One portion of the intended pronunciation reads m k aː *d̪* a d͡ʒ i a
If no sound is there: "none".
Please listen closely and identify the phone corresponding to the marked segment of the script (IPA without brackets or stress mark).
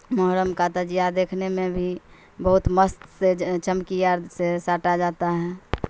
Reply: t̪